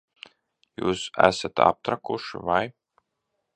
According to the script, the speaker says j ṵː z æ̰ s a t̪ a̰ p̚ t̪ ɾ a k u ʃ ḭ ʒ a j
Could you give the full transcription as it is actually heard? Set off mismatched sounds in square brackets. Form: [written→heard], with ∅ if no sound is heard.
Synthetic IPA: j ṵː [z→s] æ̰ s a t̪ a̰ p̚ t̪ ɾ a k u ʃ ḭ [ʒ→v] a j